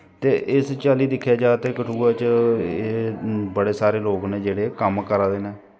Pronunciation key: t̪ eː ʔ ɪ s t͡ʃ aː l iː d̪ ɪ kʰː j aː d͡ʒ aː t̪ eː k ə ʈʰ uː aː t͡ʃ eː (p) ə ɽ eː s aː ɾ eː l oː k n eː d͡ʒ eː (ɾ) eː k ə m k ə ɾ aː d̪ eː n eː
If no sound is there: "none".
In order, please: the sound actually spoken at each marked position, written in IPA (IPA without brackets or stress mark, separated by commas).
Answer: b, ɽ